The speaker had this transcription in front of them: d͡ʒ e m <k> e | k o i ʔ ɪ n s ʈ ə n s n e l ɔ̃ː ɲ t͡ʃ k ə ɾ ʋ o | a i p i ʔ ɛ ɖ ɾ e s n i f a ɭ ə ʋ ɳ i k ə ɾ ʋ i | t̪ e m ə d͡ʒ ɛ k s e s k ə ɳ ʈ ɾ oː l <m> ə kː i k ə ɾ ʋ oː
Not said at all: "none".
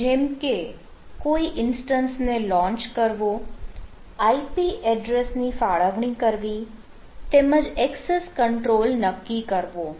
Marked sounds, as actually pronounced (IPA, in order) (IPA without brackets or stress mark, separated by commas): k, n